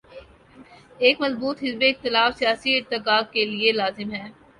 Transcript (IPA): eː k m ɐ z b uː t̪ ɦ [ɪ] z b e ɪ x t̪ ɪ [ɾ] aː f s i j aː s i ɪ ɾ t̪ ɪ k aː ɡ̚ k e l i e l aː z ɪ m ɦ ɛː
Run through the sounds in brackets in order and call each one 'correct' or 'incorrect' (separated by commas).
correct, incorrect